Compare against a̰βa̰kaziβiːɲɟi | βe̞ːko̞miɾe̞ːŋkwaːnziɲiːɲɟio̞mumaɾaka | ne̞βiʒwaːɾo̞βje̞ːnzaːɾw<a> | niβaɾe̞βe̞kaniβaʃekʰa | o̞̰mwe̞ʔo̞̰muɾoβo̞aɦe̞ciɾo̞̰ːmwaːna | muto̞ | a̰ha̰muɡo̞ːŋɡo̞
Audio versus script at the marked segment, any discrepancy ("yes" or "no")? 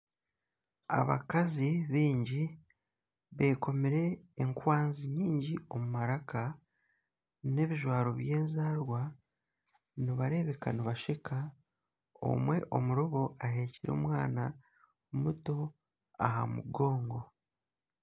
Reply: no